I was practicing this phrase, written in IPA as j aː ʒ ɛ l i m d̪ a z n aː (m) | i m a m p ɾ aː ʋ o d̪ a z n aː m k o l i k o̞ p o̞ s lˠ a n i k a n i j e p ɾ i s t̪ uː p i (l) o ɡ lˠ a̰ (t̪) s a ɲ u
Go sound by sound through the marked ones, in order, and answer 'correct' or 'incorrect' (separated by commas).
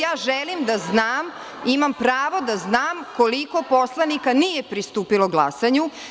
correct, correct, incorrect